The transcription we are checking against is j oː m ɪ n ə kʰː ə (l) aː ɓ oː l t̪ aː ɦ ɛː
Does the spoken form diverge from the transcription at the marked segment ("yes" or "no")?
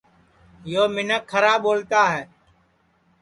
yes